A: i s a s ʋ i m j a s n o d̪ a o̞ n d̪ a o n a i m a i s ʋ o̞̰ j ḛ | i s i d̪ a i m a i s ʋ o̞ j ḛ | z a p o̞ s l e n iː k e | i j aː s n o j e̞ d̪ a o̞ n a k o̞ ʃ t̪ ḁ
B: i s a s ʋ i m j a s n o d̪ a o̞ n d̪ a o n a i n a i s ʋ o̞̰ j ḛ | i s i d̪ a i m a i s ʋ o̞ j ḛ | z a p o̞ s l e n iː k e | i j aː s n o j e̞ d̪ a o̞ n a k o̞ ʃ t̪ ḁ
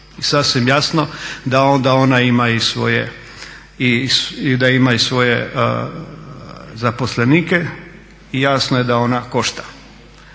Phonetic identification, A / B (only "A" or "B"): A